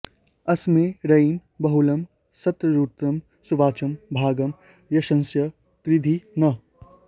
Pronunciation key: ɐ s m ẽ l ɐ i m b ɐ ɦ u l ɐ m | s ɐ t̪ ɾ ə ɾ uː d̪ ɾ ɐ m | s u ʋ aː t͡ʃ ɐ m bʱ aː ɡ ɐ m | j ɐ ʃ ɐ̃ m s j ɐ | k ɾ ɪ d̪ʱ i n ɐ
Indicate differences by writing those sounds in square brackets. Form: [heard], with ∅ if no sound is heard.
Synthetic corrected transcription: ɐ s m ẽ [ɾ] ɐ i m b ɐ ɦ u l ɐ m | s ɐ t̪ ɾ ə ɾ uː [t̪] ɾ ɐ m | s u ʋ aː t͡ʃ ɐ m bʱ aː ɡ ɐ m | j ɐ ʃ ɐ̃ [n] s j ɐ | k ɾ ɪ d̪ʱ i n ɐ